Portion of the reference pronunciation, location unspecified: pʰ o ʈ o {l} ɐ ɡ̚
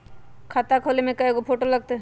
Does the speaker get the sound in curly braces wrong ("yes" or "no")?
no